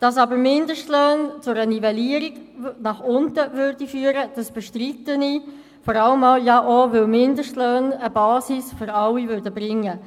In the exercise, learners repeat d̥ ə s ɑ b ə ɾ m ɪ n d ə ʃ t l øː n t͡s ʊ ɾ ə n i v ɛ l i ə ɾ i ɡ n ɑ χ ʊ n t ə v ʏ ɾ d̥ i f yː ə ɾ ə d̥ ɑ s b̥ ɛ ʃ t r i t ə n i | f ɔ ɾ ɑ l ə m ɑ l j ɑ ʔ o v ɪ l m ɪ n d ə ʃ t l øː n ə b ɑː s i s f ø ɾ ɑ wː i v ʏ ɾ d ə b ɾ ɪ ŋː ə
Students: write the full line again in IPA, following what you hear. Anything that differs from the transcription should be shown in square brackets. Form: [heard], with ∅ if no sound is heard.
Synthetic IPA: d̥ [ɑ] s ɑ b ə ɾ m ɪ n d ə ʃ t l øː n t͡s ʊ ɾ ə n i v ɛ l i ə ɾ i ɡ n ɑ χ ʊ n t ə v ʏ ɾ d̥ i f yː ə ɾ ə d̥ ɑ s b̥ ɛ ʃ t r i t ə n i | f ɔ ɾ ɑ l ə m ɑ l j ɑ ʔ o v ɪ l m ɪ n d ə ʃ t l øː n ə b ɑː s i s f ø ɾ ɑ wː i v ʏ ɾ d ə b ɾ ɪ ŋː ə